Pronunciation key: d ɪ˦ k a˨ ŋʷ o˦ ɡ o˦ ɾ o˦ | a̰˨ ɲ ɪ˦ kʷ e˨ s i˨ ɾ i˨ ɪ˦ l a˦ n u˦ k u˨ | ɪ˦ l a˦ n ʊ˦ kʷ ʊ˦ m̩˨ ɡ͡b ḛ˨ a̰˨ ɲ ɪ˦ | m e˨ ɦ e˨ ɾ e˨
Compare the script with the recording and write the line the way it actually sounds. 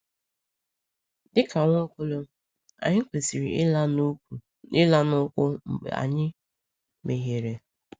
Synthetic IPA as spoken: d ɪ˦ k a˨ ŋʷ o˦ k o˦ l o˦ | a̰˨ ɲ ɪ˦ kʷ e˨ s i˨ ɾ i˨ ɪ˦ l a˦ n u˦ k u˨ | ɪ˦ l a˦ n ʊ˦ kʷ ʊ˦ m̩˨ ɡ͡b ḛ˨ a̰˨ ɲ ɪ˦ | m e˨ ɦ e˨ ɾ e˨